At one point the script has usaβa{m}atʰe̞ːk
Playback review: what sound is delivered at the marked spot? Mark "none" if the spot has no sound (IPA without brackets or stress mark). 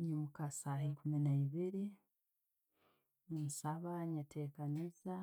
ɲ